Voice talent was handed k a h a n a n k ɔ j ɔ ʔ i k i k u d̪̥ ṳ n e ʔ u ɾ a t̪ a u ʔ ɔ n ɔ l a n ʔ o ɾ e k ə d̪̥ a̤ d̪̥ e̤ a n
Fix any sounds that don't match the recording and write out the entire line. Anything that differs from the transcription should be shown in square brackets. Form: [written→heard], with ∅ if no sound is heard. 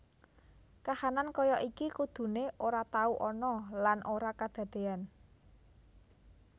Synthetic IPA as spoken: k a h a n a n k ɔ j ɔ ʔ i k i k u d̪̥ ṳ n e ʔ [u→o] ɾ a t̪ a u ʔ ɔ n ɔ l a n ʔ o ɾ [e→a] k [ə→a] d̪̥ a̤ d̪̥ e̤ a n